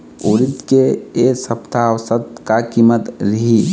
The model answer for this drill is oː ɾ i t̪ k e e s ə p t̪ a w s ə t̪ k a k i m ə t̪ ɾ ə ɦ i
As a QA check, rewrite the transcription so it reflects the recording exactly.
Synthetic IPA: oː ɾ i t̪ k e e s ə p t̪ a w s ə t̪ k a k i m ə t̪ ɾ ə ɦ i